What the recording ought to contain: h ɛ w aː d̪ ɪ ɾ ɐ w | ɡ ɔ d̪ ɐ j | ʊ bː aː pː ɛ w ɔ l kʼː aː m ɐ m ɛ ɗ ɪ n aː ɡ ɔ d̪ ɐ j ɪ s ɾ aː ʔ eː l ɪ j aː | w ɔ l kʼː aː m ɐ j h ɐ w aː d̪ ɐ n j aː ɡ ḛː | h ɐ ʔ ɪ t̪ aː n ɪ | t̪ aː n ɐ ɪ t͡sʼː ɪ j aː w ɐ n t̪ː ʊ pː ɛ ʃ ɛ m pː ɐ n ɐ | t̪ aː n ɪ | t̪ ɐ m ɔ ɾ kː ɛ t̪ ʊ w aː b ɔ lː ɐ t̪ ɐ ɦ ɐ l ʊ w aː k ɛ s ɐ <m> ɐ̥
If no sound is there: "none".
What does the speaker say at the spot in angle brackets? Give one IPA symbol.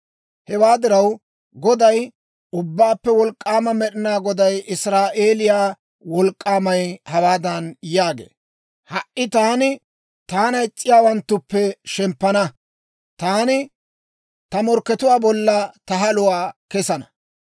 n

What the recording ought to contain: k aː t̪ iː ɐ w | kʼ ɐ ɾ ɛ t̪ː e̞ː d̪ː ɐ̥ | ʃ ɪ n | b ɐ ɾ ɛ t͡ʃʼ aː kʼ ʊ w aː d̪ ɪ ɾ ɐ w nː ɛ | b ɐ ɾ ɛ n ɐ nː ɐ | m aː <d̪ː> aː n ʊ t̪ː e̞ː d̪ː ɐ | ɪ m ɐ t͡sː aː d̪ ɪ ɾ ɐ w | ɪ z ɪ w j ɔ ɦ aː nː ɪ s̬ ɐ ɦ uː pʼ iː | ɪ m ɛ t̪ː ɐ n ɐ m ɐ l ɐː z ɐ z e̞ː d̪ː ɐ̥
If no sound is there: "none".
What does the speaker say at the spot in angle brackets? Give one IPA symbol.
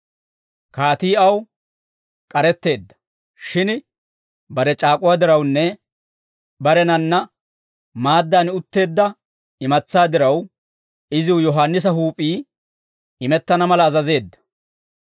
d̪ː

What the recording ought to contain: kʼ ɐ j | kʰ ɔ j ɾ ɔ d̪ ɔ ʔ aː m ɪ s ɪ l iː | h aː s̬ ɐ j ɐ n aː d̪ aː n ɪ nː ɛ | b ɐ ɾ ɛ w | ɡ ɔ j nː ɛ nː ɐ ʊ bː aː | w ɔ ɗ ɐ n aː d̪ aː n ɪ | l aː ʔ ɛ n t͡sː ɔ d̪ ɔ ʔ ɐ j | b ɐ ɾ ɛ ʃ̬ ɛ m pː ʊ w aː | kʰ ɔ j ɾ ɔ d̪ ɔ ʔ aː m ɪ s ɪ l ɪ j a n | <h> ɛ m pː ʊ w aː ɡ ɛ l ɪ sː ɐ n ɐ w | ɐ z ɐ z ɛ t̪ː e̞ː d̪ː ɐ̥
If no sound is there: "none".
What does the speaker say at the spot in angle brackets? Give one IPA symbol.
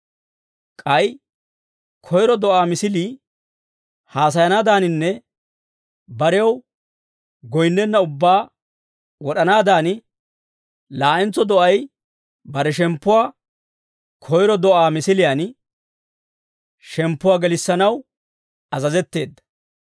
ʃ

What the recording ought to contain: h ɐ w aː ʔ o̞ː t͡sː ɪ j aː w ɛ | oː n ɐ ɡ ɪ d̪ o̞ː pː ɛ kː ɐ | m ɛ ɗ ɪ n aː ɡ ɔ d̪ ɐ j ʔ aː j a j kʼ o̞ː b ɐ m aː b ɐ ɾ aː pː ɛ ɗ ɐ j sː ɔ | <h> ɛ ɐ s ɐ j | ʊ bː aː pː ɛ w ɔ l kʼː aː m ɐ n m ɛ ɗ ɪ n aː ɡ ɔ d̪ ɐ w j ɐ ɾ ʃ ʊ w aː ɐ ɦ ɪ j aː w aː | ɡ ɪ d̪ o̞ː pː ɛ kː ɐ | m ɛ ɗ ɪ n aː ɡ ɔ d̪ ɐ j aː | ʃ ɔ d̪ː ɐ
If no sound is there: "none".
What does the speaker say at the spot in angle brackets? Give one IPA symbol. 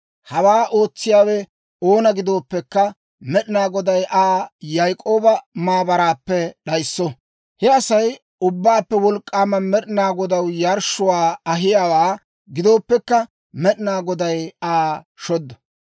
h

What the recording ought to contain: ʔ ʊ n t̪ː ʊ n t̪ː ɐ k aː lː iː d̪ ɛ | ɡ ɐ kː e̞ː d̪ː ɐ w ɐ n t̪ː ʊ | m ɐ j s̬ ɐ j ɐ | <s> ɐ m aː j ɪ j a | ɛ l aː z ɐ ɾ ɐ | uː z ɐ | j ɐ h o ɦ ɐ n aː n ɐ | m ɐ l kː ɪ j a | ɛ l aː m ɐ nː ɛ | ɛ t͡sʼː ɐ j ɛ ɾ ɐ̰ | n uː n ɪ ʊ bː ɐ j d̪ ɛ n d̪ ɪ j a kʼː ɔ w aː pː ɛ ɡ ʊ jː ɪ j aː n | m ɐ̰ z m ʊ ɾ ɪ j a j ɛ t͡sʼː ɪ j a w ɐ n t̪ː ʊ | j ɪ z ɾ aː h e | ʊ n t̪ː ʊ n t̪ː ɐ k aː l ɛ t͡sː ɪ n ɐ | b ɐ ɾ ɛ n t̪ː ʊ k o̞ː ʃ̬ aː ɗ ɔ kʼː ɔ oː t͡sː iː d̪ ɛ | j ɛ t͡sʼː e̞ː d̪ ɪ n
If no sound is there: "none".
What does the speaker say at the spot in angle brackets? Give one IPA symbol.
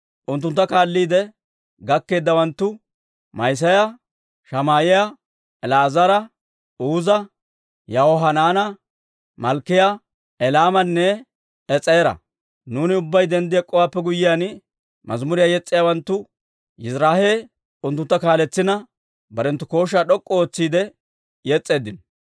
ʃ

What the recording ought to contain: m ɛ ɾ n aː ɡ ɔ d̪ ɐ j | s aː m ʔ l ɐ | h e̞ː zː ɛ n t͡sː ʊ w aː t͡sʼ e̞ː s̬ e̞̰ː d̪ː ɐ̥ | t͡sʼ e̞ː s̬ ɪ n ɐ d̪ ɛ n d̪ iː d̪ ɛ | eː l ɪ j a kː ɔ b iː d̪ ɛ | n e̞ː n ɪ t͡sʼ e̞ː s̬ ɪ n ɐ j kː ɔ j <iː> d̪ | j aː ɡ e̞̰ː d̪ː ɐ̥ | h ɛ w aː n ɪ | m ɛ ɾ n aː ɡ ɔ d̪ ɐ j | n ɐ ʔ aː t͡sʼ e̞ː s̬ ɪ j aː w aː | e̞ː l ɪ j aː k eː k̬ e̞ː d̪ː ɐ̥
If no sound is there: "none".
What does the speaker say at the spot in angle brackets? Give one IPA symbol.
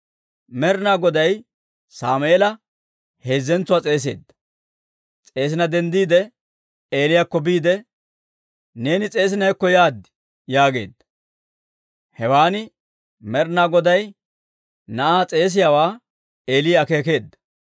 aː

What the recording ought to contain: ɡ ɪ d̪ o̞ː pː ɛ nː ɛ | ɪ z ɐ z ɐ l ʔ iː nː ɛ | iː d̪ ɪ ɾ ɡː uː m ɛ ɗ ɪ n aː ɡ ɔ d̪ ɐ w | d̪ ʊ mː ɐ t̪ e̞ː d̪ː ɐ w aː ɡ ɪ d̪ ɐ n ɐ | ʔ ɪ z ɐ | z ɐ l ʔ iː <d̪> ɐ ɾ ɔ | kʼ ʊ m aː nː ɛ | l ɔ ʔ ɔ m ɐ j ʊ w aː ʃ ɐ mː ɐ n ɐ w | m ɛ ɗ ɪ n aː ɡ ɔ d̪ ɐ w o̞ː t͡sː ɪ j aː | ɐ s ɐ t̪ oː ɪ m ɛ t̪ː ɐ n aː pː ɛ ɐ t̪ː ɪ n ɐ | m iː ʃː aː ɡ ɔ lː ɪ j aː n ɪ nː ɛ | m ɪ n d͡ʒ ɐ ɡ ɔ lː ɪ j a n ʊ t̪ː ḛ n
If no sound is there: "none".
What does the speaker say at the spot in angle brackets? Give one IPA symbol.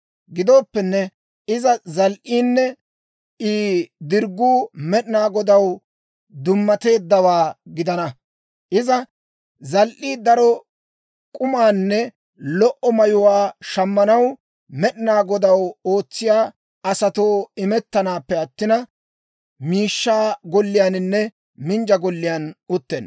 d̪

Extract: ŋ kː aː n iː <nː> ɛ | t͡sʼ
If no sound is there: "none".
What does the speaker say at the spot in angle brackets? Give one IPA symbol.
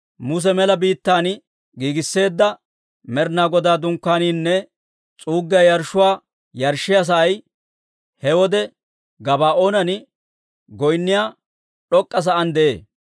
nː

